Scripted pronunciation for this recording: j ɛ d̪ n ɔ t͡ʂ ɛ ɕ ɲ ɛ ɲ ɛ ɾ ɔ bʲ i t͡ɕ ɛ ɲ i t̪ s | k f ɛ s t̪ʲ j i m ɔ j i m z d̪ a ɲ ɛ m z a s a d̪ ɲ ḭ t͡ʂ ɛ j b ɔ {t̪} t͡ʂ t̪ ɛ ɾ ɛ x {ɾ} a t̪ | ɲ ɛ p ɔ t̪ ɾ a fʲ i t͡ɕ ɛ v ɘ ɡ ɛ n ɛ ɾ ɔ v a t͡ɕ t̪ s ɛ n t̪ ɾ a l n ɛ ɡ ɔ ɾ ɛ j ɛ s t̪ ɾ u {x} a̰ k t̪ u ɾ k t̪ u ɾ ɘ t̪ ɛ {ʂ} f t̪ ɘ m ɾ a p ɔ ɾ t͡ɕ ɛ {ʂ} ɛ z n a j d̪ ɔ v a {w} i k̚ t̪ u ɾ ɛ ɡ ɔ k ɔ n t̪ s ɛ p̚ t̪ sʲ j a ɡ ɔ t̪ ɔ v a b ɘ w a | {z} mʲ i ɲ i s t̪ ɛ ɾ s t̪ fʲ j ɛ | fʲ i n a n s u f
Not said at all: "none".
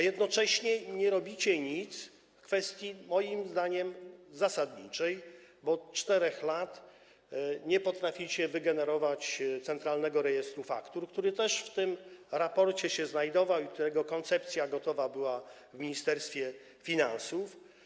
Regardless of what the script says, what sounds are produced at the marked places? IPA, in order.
t̪, l, f, ʂ, ɕ, w, v

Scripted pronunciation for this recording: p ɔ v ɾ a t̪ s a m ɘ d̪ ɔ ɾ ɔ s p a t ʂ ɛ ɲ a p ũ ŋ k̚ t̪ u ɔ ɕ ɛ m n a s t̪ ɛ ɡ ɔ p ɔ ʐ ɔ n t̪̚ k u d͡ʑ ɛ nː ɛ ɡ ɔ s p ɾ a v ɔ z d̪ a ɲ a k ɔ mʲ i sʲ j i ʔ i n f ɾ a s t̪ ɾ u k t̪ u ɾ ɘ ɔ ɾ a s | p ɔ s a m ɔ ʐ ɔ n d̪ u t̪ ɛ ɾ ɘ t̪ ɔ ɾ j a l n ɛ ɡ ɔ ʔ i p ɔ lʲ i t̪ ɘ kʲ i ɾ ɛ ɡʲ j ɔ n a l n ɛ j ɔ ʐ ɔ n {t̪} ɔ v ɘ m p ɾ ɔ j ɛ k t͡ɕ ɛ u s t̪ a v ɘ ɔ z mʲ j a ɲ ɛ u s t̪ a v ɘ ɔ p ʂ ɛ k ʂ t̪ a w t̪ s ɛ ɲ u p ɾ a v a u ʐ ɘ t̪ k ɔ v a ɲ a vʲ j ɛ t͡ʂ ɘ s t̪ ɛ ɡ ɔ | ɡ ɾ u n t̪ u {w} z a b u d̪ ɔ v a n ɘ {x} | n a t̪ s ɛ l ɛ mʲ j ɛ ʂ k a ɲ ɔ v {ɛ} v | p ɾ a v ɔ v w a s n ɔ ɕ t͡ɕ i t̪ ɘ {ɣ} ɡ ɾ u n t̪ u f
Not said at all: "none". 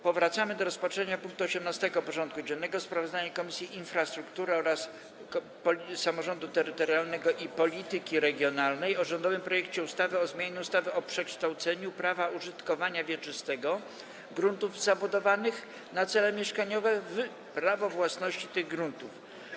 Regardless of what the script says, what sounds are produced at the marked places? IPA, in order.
d̪, v, x, ɛ, ɣ

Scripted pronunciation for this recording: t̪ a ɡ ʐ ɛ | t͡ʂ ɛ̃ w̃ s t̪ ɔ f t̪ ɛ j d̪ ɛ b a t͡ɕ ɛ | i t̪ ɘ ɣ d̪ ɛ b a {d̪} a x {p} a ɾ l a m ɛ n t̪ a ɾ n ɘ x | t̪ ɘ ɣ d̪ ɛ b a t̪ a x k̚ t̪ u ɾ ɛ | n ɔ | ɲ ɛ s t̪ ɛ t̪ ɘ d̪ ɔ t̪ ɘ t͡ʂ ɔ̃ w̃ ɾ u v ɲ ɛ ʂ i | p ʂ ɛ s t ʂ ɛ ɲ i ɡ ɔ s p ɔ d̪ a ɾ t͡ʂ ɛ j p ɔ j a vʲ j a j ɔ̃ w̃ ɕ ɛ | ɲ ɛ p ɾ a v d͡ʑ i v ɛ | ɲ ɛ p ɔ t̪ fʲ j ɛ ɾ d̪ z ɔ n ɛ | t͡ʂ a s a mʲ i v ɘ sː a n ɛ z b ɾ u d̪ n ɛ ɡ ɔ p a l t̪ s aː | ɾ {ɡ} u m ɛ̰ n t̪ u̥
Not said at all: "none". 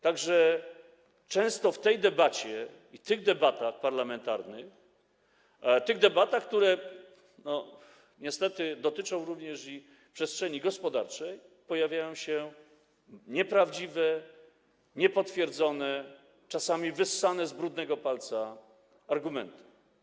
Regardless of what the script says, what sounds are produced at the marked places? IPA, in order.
t̪, p, ɡ

